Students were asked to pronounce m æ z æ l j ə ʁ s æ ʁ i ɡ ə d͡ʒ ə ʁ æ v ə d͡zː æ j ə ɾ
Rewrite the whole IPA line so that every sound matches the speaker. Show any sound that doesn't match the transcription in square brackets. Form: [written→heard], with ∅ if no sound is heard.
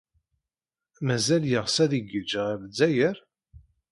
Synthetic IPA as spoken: m æ z æ l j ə ʁ s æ [ʁ→ð] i ɡ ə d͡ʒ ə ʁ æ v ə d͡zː æ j ə ɾ